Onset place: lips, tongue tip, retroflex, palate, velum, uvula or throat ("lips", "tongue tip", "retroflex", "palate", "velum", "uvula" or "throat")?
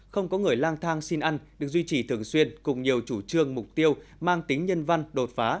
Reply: velum